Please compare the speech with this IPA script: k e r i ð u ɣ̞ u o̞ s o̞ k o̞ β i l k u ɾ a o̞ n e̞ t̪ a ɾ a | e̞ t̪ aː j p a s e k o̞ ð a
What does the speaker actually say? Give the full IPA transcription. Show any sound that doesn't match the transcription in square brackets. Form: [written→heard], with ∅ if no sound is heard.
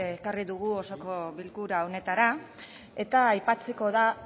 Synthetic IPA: k [e→a] r i ð u ɣ̞ u o̞ s o̞ k o̞ β i l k u ɾ a o̞ n e̞ t̪ a ɾ a | e̞ t̪ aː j p a [s→t͡s] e k o̞ ð a

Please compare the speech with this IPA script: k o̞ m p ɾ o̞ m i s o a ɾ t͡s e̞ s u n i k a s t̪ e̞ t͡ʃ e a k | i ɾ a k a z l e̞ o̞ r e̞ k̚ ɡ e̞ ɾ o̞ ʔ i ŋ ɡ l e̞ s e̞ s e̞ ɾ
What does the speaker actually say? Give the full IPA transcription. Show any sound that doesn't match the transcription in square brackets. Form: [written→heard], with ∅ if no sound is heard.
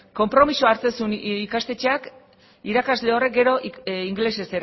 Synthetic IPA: k o̞ m p ɾ o̞ m i s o a ɾ t͡s e̞ s u n i k a s t̪ e̞ t͡ʃ e a k | i ɾ a k a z l e̞ o̞ r e̞ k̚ ɡ e̞ ɾ o̞ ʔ i ŋ ɡ l e̞ s e̞ s e̞ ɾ

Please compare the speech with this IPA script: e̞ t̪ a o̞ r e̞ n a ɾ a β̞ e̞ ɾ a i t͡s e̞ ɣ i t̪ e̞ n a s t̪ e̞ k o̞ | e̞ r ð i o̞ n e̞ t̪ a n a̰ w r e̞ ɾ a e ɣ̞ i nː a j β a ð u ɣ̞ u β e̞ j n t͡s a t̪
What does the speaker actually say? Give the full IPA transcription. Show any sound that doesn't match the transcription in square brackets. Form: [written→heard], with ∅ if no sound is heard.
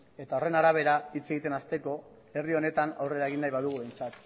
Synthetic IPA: e̞ t̪ a o̞ r e̞ n a ɾ a β̞ e̞ ɾ a i t͡s e̞ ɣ i t̪ e̞ n a s t̪ e̞ k o̞ | e̞ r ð i o̞ n e̞ t̪ a n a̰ w r e̞ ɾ a e ɣ̞ i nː a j β a ð u ɣ̞ u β e̞ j n t͡s a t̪

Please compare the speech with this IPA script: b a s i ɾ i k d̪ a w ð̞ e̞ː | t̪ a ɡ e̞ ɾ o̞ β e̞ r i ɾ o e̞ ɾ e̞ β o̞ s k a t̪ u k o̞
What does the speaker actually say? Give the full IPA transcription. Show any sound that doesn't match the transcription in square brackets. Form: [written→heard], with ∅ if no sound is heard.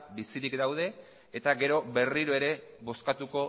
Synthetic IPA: b [a→i] s i ɾ i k d̪ a w ð̞ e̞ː | t̪ a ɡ e̞ ɾ o̞ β e̞ r i ɾ o e̞ ɾ e̞ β o̞ s k a t̪ u k o̞

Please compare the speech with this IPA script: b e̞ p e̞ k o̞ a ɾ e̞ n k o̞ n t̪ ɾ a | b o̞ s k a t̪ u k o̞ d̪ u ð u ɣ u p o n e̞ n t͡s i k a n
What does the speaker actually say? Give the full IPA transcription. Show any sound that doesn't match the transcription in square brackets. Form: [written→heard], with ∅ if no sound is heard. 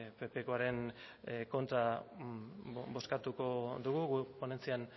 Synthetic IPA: [b→p] e̞ p e̞ k o̞ a ɾ e̞ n k o̞ n t̪ ɾ a | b o̞ s k a t̪ u k o̞ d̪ u [ð→ɣ] u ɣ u p o n e̞ n t͡s i [k→∅] a n

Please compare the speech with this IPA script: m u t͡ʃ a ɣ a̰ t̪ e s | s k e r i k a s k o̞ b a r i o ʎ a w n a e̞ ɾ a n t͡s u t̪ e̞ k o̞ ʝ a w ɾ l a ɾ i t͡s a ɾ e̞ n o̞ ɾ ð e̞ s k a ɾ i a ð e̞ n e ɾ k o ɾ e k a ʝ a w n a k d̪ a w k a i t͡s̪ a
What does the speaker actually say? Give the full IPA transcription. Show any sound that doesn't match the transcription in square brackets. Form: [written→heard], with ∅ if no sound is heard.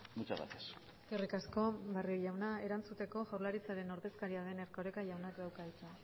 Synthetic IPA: m u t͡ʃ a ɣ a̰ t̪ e s | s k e r i k a s k o̞ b a r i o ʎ a w n a e̞ ɾ a n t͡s u t̪ e̞ k o̞ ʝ a w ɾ l a ɾ i t͡s a ɾ e̞ n o̞ ɾ ð e̞ s k a ɾ i a ð e̞ n e ɾ k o ɾ e k a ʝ a w n a k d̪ a w k a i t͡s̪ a

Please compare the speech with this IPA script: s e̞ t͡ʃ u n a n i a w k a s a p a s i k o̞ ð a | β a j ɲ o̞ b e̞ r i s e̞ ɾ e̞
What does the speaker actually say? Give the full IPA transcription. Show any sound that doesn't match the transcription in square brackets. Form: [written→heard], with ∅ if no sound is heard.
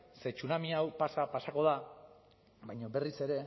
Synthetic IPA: s e̞ t͡ʃ u n a [n→m] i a w [k→p] a s a p a s [i→a] k o̞ ð a | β a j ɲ o̞ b e̞ r i s e̞ ɾ e̞

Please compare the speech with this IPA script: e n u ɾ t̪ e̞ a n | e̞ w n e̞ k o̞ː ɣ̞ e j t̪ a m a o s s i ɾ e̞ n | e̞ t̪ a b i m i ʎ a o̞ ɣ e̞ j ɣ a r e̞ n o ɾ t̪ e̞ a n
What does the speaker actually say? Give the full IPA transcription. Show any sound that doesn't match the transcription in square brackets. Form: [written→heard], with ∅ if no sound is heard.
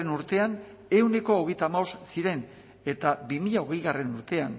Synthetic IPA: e n u ɾ t̪ e̞ a n | e̞ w n e̞ k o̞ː ɣ̞ e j t̪ a m a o s s i ɾ e̞ n | e̞ t̪ a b i m i ʎ a o̞ ɣ e̞ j ɣ a r e̞ n [o→u] ɾ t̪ e̞ a n

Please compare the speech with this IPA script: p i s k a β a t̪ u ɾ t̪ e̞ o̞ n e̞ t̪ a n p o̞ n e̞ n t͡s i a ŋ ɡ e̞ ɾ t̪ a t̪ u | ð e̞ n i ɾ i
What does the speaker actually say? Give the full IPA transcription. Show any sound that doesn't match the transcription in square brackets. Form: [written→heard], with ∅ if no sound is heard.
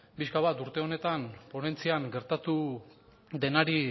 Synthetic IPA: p i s k a β a t̪ u ɾ t̪ e̞ o̞ n e̞ t̪ a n p o̞ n e̞ n t͡s i a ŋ ɡ e̞ ɾ t̪ a t̪ u | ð e̞ n [i→a] ɾ i

